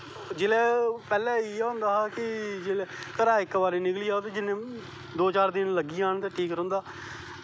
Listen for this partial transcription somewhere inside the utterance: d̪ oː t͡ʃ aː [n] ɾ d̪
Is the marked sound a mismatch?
yes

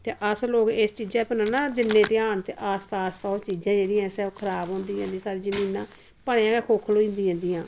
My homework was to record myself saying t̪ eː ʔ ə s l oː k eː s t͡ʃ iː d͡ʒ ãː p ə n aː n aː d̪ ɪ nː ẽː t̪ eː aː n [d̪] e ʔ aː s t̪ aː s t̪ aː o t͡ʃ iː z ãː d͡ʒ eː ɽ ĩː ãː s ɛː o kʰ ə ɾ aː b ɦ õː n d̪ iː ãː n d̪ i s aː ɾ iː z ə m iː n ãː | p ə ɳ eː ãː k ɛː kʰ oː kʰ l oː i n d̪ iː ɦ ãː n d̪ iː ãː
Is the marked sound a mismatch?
yes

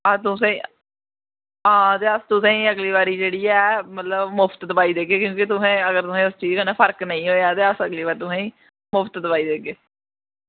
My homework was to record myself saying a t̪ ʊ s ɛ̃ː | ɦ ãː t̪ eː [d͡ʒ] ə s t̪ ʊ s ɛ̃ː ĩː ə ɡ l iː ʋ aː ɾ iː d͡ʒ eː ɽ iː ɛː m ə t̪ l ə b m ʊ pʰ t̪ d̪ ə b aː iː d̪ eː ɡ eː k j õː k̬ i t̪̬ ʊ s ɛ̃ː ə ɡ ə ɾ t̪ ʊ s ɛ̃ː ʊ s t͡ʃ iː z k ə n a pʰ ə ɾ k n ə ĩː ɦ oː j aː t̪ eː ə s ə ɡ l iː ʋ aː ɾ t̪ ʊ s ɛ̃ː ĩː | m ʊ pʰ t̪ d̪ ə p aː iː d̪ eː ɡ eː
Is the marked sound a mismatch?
yes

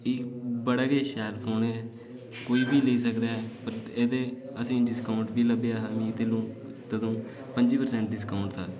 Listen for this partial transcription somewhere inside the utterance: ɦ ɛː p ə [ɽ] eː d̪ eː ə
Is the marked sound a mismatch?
yes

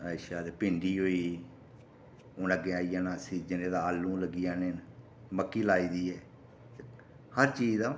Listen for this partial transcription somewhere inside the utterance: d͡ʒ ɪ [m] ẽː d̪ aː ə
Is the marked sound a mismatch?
yes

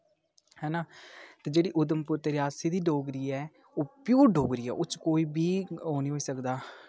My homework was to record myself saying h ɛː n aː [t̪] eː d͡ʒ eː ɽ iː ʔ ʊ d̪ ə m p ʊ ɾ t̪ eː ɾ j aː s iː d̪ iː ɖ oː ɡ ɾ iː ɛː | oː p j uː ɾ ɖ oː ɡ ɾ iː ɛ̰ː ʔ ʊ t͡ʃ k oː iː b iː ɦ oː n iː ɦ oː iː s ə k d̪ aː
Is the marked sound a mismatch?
no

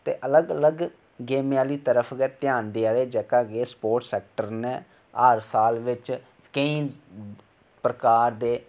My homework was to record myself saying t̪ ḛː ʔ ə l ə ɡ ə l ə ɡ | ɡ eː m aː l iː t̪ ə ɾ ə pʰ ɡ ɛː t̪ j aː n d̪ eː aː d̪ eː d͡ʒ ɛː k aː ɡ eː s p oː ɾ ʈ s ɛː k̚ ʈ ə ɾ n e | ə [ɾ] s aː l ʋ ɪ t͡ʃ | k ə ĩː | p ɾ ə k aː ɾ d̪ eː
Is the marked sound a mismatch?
no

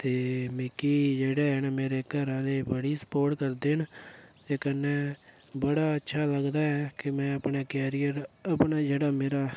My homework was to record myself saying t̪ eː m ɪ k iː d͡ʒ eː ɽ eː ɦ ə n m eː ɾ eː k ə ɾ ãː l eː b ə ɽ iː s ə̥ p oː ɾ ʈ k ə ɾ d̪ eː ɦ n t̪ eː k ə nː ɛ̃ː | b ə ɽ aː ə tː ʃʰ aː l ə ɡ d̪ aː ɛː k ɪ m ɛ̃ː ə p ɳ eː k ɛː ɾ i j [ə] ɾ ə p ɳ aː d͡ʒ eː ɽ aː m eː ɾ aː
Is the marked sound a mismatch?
no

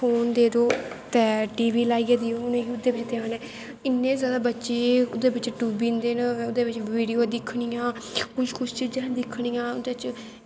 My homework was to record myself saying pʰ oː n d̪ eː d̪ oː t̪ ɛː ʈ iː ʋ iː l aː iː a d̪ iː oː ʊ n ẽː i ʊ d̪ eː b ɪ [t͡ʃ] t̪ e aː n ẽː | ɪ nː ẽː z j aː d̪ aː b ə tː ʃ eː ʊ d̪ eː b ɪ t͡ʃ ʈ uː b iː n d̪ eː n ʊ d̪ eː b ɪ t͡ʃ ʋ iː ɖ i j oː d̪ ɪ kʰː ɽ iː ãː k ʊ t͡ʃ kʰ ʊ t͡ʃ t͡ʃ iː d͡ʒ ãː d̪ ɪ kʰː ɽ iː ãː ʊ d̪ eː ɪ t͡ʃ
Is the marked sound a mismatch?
no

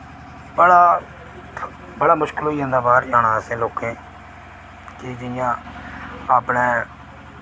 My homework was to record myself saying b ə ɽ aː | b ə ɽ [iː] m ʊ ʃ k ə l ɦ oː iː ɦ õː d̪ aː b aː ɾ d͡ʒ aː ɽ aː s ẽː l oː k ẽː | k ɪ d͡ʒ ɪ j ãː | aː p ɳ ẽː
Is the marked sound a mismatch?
yes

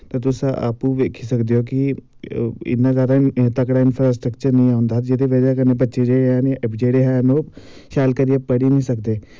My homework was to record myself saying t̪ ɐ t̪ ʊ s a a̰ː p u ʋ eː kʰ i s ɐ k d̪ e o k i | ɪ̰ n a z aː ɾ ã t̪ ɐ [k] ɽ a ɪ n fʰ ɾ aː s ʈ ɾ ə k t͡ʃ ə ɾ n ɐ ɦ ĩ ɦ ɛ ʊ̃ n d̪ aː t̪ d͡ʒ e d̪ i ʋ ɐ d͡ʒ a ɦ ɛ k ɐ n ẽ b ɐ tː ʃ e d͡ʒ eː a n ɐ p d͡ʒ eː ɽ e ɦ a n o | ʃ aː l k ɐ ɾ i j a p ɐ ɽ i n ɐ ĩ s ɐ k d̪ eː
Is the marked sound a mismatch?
no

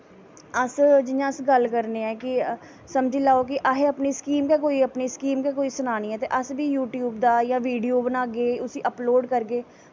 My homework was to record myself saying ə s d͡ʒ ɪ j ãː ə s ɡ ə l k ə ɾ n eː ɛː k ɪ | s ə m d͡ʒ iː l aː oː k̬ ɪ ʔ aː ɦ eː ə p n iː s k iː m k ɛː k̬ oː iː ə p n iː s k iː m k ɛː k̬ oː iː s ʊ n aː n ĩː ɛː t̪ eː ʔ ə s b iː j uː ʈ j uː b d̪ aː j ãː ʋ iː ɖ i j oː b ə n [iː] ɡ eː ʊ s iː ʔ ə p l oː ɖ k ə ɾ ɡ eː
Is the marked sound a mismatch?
yes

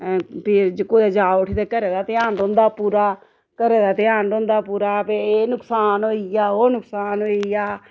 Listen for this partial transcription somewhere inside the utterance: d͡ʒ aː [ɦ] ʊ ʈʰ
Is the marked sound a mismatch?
yes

